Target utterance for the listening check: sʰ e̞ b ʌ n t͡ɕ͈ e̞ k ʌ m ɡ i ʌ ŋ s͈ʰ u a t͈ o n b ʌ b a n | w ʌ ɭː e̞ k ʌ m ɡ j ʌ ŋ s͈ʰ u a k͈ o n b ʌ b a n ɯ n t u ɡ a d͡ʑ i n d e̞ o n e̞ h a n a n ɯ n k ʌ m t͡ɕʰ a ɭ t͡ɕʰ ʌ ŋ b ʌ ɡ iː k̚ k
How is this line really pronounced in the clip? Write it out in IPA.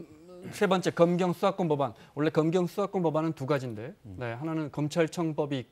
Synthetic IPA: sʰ e̞ b ʌ n t͡ɕ͈ e̞ k ʌ m ɡ j ʌ ŋ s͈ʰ u a k͈ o n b ʌ b a n | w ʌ ɭː e̞ k ʌ m ɡ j ʌ ŋ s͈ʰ u a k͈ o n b ʌ b a n ɯ n t u ɡ a d͡ʑ i n d e̞ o n e̞ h a n a n ɯ n k ʌ m t͡ɕʰ a ɭ t͡ɕʰ ʌ ŋ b ʌ b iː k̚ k